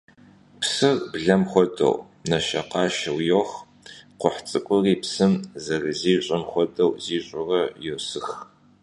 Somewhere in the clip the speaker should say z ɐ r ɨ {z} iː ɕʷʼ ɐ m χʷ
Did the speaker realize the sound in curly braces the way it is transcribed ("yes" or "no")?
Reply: yes